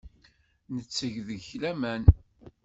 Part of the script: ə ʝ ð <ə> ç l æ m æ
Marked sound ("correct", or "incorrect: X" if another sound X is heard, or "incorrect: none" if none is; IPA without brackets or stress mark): correct